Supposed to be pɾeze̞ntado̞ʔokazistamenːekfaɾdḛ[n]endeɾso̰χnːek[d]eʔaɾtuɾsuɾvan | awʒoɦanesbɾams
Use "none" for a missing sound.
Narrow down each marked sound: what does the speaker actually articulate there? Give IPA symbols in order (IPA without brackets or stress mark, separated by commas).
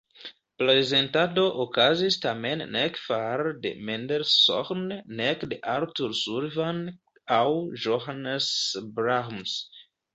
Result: m, d